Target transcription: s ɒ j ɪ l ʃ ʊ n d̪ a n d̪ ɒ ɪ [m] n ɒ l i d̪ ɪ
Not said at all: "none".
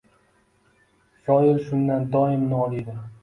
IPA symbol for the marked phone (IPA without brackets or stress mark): m